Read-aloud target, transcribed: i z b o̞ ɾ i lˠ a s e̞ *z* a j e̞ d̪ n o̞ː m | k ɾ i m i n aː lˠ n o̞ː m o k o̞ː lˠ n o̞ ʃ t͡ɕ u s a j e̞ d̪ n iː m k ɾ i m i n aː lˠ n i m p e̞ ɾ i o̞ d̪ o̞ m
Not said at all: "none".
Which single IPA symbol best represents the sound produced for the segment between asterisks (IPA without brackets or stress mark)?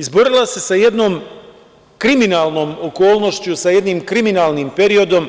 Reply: s